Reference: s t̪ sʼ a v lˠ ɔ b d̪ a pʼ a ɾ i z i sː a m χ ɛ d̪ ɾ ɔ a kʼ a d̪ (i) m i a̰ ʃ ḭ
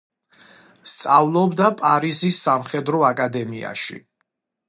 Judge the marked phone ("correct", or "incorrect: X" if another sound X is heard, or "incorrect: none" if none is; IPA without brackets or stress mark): incorrect: ɛ